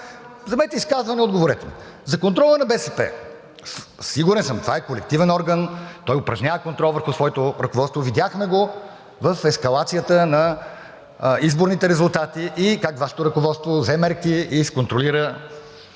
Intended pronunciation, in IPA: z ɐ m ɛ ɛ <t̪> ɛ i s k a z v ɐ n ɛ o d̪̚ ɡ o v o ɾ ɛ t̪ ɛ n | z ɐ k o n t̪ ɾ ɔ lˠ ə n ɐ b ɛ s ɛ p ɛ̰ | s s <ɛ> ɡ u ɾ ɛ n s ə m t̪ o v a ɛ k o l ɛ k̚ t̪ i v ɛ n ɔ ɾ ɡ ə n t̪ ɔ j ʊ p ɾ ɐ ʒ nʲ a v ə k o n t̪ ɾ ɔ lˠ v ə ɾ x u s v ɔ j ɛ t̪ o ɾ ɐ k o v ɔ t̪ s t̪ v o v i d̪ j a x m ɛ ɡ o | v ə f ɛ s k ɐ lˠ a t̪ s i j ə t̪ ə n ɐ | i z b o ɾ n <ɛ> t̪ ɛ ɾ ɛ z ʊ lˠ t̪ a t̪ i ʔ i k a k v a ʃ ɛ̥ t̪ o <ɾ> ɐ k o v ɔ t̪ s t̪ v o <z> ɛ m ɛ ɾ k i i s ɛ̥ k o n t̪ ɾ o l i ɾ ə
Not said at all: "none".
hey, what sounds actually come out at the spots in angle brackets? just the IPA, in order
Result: t̪, i, i, ɾ, z

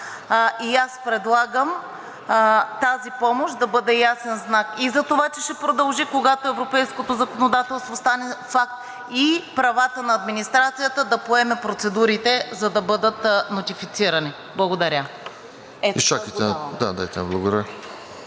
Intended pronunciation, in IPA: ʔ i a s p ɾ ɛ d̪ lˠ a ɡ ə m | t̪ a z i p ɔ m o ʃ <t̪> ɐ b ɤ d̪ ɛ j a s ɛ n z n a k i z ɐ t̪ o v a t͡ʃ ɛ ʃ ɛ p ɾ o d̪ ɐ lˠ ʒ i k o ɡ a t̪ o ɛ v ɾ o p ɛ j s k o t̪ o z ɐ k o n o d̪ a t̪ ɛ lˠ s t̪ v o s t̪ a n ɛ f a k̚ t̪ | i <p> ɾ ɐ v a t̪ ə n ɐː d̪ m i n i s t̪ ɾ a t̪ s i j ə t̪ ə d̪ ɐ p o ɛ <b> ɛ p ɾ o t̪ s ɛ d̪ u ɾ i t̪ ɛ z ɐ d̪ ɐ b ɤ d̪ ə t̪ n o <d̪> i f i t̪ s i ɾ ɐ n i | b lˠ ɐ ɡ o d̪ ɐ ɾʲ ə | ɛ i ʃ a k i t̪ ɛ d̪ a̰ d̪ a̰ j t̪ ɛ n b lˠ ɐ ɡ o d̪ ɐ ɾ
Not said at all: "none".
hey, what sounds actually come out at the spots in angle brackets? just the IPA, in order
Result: d̪, p, m, t̪

